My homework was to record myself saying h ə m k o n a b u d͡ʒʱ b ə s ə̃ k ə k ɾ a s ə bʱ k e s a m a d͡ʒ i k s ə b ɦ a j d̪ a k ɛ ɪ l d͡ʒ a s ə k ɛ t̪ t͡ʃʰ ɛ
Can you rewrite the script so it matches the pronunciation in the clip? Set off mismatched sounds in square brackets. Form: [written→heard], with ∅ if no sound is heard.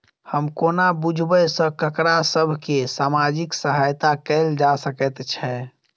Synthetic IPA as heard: h ə m k o n a b u d͡ʒʱ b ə s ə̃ k ə k ɾ a s ə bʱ k e s a m a d͡ʒ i k s ə [b→∅] ɦ a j [d̪→t̪] a k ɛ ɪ l d͡ʒ a s ə k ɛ t̪ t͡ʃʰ ɛ